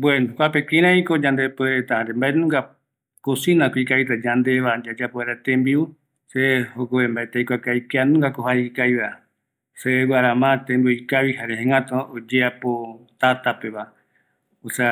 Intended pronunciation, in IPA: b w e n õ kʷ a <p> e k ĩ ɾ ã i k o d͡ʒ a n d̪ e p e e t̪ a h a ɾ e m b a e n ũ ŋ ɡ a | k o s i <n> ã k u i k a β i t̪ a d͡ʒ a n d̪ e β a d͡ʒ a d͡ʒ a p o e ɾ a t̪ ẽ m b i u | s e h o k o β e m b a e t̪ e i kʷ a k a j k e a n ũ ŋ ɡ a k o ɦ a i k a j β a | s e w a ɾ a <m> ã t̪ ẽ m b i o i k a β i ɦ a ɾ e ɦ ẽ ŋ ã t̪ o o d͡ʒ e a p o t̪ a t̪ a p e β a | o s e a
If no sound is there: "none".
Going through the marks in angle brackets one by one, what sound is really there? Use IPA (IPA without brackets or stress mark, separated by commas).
p, n, m